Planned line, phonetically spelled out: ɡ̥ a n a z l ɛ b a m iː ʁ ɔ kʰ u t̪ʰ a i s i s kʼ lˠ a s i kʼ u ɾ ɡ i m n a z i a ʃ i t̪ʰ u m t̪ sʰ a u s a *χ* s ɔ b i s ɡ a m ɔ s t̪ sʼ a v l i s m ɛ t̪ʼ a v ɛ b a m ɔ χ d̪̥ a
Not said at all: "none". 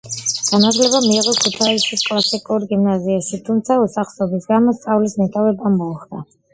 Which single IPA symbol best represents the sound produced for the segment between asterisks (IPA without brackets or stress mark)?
χ